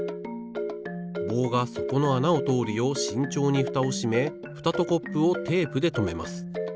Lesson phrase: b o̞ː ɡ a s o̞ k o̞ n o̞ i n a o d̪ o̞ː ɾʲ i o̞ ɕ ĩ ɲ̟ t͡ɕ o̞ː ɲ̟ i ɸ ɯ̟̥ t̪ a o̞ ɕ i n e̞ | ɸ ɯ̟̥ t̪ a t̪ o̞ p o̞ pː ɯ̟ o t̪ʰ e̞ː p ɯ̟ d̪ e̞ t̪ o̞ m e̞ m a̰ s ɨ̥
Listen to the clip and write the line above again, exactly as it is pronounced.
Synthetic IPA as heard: b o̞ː ɡ a s o̞ k o̞ n o̞ a n a o t̪ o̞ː ɾʲ i o̞ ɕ ĩ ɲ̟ t͡ɕ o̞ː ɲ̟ i ɸ ɯ̟̥ t̪ a o̞ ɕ i m e̞ | ɸ ɯ̟̥ t̪ a t̪ o̞ k o̞ pː ɯ̟ o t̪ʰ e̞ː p ɯ̟ d̪ e̞ t̪ o̞ m e̞ m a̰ s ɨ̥

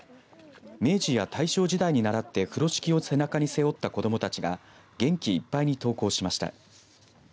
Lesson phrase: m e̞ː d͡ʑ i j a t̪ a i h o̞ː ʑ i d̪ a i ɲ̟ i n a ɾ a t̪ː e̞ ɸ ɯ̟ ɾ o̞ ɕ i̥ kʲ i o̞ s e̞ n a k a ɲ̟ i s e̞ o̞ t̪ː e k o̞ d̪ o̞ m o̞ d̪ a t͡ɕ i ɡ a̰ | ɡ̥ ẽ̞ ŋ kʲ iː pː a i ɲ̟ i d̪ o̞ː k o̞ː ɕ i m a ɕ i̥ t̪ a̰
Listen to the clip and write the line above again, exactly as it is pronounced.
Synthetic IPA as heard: m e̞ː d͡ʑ i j a t̪ a i ɕ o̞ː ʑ i d̪ a i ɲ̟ i n a ɾ a t̪ː e̞ ɸ ɯ̟ ɾ o̞ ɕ i̥ kʲ i o̞ s e̞ n a k a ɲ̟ i s e̞ o̞ t̪ː a k o̞ d̪ o̞ m o̞ t̪ a t͡ɕ i ɡ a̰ | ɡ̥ ẽ̞ ŋ kʲ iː pː a i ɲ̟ i t̪ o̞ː k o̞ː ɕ i m a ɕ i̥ t̪ a̰

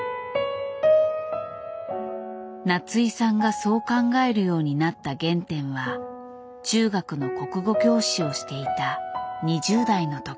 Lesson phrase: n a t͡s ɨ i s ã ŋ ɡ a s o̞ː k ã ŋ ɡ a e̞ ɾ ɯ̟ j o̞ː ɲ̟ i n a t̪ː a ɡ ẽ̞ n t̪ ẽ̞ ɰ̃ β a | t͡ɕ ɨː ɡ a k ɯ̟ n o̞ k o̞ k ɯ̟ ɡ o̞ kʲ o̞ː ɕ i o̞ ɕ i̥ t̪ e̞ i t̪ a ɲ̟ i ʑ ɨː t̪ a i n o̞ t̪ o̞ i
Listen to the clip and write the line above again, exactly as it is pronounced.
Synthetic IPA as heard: n a t͡s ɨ i s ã ŋ ɡ a s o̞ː k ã ŋ ɡ a e̞ ɾ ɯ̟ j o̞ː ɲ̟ i n a t̪ː a ɡ ẽ̞ n t̪ ẽ̞ ɰ̃ β a | t͡ɕ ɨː ɡ a k ɯ̟ n o̞ k o̞ k ɯ̟ ɡ o̞ kʲ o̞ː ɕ i o̞ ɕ i̥ t̪ e̞ i t̪ a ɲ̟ i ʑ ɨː d̪ a i n o̞ t̪ o̞ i

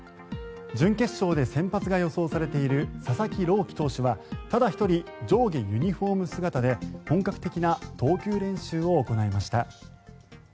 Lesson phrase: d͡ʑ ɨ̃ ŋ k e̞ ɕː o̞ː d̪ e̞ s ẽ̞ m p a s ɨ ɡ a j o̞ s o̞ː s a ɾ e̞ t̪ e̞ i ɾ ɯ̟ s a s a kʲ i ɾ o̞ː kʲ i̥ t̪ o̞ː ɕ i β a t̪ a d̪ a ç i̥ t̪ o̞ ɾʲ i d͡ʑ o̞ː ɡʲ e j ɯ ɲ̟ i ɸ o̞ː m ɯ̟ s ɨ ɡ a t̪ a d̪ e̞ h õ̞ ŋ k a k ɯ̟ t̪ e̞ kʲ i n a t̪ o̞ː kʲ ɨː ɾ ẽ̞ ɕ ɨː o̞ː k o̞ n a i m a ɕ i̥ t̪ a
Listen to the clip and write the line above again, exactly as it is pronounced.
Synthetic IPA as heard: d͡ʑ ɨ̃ ŋ k e̞ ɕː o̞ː d̪ e̞ s ẽ̞ m p a t͡s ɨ ɡ a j o̞ s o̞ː s a ɾ e̞ t̪ e̞ i ɾ ɯ̟ s a s a kʲ i ɾ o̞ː kʲ i̥ t̪ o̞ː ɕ i β a t̪ a d̪ a ç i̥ t̪ o̞ ɾʲ i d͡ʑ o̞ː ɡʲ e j ɯ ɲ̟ i ɸ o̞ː m ɯ̟ s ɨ ɡ a t̪ a d̪ e̞ h õ̞ ŋ k a k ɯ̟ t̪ e̞ kʲ i n a t̪ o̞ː kʲ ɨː ɾ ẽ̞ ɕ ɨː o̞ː k o̞ n a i m a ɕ i̥ t̪ a

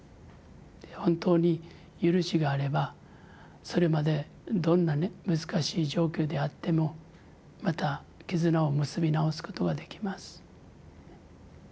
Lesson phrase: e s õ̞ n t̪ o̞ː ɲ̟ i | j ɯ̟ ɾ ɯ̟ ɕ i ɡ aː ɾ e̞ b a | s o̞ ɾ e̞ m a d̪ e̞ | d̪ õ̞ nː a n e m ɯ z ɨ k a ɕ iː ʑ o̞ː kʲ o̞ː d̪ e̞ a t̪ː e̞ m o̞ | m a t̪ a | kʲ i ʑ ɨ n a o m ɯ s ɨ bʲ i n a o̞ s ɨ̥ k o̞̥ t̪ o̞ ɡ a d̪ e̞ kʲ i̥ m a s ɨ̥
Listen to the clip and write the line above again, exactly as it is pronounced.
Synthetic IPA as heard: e h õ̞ n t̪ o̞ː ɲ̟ i | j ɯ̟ ɾ ɯ̟ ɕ i ɡ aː ɾ e̞ b a | s o̞ ɾ e̞ m a d̪ e̞ | d̪ õ̞ nː a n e m ɯ z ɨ k a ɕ iː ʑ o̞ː kʲ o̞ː d̪ e̞ a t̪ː e̞ m o̞ | m a t̪ a | kʲ i z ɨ n a o m ɯ s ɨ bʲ i n a o̞ s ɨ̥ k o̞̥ t̪ o̞ ɡ a d̪ e̞ kʲ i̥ m a s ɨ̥

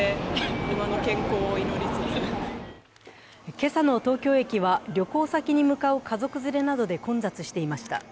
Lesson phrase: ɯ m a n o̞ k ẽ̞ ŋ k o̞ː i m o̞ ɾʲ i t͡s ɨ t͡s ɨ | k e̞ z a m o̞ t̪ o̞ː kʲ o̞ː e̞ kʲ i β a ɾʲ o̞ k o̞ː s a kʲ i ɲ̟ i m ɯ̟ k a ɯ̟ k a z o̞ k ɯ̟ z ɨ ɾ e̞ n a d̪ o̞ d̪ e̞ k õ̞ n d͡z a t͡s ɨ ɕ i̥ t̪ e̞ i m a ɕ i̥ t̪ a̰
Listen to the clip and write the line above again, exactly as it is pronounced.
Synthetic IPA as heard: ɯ m a n o̞ k ẽ̞ ŋ k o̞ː i n o̞ ɾʲ i t͡s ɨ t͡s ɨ | k e̞ s a n o̞ t̪ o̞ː kʲ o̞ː e̞ kʲ i β a ɾʲ o̞ k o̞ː s a kʲ i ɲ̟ i m ɯ̟ k a ɯ̟ k a z o̞ k ɯ̟ z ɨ ɾ e̞ n a d̪ o̞ d̪ e̞ k õ̞ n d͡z a t͡s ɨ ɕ i̥ t̪ e̞ i m a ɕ i̥ t̪ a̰

